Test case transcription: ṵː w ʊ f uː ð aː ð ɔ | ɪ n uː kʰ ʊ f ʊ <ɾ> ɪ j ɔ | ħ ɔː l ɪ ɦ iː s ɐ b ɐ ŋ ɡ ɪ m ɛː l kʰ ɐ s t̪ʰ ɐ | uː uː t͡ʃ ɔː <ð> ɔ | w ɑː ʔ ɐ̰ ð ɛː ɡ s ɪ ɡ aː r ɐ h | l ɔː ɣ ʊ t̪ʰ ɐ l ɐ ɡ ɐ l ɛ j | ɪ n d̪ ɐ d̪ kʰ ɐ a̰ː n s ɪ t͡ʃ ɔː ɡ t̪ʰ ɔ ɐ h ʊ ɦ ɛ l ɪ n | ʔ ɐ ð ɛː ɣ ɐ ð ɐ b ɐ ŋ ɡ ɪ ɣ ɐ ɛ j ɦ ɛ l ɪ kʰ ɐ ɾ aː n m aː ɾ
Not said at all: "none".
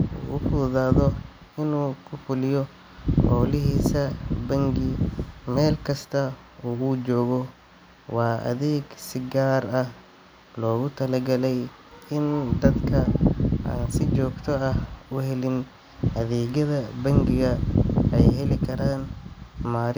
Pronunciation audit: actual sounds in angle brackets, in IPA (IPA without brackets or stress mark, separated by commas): l, ɣ